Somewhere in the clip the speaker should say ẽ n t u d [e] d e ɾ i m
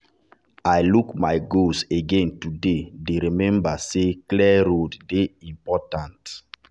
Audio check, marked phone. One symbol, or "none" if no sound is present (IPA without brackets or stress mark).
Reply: e